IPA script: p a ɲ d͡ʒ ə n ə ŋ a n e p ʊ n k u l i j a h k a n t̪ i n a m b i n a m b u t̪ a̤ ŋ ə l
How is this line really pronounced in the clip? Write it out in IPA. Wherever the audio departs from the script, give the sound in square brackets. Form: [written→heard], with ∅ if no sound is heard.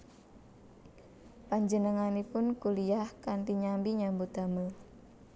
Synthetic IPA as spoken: p a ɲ d͡ʒ ə n ə ŋ a n [e→i] p ʊ n k u l i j a h k a n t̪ i [n→ɲ] a m b i [n→ɲ] a m b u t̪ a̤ [ŋ→m] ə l

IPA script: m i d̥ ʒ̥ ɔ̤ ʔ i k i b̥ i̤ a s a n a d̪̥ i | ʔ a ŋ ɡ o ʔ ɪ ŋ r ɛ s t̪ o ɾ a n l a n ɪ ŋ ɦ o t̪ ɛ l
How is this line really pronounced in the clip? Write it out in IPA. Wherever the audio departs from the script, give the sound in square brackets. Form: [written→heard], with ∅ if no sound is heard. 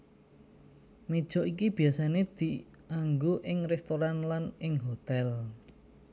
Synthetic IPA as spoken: m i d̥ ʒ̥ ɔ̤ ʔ i k i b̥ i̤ a s a n [a→e] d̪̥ i | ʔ a ŋ ɡ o ʔ ɪ ŋ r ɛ s t̪ o ɾ a n l a n ɪ ŋ ɦ o t̪ ɛ l

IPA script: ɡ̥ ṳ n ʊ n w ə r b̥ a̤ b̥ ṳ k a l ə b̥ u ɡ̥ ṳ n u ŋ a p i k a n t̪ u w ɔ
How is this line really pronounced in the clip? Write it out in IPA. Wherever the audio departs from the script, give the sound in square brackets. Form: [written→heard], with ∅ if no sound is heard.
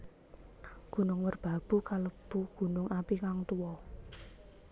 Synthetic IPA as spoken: ɡ̥ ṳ n ʊ [n→ŋ] w ə r b̥ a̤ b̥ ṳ k a l ə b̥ u ɡ̥ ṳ n [u→ʊ] ŋ a p i k a [n→ŋ] t̪ u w ɔ

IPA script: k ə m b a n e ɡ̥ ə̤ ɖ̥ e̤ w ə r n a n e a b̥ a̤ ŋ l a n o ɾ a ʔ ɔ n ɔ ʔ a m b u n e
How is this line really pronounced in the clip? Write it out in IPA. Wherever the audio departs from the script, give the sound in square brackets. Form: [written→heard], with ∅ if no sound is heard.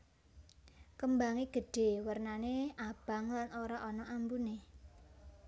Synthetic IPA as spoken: k ə m b a [n→ŋ] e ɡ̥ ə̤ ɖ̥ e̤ w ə r n a n e a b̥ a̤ ŋ l a n o ɾ a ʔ ɔ n ɔ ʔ a m b u n e

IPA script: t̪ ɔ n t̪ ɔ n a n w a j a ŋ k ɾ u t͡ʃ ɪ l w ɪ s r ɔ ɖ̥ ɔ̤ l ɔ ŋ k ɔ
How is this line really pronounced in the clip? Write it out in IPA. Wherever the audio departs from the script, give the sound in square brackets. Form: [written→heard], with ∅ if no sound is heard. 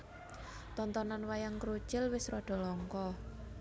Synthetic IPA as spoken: t̪ ɔ n t̪ ɔ n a n w a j a ŋ k ɾ u t͡ʃ ɪ l w ɪ s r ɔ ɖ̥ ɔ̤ l ɔ ŋ k ɔ

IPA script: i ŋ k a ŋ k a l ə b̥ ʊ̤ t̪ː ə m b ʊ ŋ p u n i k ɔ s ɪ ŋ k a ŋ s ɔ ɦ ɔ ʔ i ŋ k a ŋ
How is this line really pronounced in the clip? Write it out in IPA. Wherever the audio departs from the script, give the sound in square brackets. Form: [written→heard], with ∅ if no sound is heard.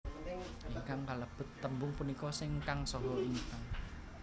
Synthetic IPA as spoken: i ŋ k a ŋ k a l ə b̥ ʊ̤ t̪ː ə m b ʊ ŋ p u n i k ɔ s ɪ ŋ k a ŋ s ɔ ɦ ɔ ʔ i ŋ k a ŋ

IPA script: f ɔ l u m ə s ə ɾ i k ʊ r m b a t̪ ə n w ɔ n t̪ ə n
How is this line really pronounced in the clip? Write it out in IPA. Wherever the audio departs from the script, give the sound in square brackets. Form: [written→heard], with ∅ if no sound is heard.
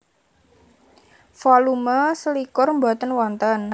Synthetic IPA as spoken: f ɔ l u m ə s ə [ɾ→l] i k ʊ r m b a t̪ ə n w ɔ n t̪ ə n

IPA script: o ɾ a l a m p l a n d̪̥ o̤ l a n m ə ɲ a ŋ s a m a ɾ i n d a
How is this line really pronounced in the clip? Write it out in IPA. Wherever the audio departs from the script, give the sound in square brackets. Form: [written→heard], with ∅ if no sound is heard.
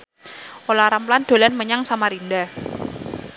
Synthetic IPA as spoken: o [ɾ→l] a [l→ɾ] a m p l a n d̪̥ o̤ l a n m ə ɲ a ŋ s a m a ɾ i n d a

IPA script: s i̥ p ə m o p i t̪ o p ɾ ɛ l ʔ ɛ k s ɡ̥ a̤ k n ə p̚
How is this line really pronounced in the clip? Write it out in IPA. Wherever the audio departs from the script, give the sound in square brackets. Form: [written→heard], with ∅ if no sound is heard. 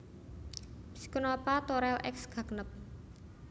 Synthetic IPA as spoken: s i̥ [p→k] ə [m→n] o p [i→a] t̪ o [p→∅] ɾ ɛ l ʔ ɛ k s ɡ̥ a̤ k n ə p̚

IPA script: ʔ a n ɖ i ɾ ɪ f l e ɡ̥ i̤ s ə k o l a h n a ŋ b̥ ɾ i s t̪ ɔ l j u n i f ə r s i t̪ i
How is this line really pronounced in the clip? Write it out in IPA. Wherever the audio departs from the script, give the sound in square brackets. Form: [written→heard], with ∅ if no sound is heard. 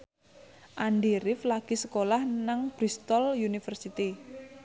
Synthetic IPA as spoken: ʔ a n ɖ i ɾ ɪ f l [e→a] ɡ̥ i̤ s ə k o l a h n a ŋ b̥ ɾ i s t̪ ɔ l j u n i f ə r s i t̪ i

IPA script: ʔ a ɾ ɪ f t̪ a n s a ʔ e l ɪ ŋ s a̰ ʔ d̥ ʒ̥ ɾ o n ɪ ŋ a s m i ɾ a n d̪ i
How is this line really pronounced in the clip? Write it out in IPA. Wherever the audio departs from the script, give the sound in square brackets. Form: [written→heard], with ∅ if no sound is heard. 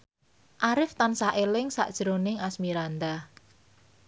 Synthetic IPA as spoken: ʔ a ɾ ɪ f t̪ a n s a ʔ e l ɪ ŋ s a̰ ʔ d̥ ʒ̥ ɾ o n ɪ ŋ a s m i ɾ a n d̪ [i→a]

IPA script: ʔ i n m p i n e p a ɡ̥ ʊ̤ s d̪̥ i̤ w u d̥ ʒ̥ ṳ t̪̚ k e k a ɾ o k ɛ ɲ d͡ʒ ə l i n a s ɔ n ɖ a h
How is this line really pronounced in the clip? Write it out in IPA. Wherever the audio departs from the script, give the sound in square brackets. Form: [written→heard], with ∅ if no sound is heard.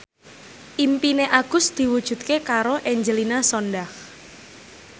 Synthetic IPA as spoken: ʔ i [n→∅] m p i n e [p→ʔ] a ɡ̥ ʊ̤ s d̪̥ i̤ w u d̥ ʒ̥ ṳ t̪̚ k e k a ɾ o [k→ʔ] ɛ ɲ d͡ʒ ə l i n a s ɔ n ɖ a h

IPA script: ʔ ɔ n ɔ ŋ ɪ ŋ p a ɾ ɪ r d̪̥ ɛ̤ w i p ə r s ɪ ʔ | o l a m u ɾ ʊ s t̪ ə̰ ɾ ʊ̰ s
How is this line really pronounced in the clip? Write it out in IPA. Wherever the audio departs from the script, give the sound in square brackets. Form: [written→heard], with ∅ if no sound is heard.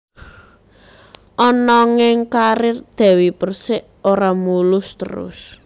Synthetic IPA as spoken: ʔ ɔ n ɔ ŋ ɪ ŋ [p→k] a ɾ ɪ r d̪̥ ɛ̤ w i p ə r s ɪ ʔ | o [l→ɾ] a m u [ɾ→l] ʊ s t̪ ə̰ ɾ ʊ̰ s

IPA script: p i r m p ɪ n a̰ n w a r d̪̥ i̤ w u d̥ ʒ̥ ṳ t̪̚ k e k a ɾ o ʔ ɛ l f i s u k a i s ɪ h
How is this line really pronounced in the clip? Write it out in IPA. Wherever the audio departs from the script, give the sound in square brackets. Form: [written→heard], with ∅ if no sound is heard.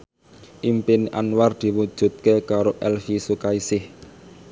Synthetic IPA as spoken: [p→ʔ] i [r→∅] m p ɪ n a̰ n w a r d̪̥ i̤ w u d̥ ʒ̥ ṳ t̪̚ k e k a ɾ o ʔ ɛ l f i s u k a i s ɪ h

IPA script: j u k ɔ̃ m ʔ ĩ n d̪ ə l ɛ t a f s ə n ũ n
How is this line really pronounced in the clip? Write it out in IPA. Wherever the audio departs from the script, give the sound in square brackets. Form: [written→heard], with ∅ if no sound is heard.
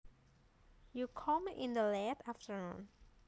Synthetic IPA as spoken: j u [k→kʰ] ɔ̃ m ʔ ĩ n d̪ ə l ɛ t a f [s→t] ə n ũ n

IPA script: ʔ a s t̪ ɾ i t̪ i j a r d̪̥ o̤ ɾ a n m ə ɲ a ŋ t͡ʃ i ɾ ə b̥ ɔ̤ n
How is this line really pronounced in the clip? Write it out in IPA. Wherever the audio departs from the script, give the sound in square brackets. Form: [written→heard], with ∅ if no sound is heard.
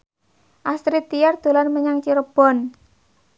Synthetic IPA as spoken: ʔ a s t̪ ɾ i t̪ i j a r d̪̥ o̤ [ɾ→l] a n m ə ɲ a ŋ t͡ʃ i ɾ ə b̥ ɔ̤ n

